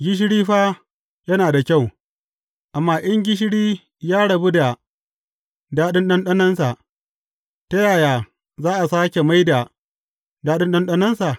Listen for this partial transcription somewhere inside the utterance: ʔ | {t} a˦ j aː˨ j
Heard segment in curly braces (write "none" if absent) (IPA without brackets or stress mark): t